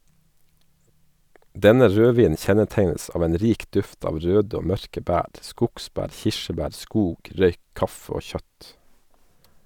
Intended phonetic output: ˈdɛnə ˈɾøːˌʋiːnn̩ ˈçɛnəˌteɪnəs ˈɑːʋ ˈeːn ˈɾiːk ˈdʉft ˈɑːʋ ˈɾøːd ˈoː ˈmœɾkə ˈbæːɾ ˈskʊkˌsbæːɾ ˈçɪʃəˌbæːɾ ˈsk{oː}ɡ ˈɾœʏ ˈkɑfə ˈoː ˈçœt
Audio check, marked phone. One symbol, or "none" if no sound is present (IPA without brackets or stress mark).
uː